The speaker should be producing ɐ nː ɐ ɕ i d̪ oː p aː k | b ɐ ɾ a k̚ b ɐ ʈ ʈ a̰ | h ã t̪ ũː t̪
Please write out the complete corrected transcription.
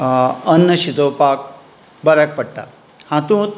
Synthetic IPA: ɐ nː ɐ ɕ i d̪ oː p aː k | b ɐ ɾ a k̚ p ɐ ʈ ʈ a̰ | h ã t̪ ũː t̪